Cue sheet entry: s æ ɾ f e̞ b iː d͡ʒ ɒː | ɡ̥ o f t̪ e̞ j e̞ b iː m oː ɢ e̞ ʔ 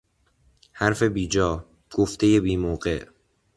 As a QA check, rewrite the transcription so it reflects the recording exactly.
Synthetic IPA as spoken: h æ ɾ f e̞ b iː d͡ʒ ɒː | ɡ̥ o f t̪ e̞ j e̞ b iː m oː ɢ e̞ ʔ